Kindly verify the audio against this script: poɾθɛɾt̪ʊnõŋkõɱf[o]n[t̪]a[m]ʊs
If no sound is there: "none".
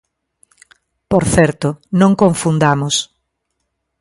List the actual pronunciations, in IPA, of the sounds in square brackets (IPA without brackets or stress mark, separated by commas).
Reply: u, d̪, m